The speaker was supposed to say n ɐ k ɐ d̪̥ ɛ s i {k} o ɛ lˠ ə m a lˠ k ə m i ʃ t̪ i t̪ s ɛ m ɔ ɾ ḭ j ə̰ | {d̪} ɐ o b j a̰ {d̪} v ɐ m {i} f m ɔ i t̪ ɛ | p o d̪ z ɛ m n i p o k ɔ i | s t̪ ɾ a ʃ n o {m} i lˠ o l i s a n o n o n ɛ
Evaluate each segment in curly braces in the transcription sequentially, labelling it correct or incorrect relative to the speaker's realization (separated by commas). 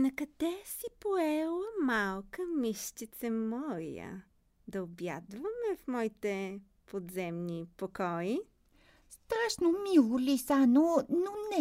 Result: incorrect, correct, correct, incorrect, correct